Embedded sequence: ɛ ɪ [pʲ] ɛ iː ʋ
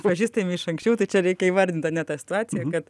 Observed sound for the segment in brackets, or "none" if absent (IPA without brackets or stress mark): kʲ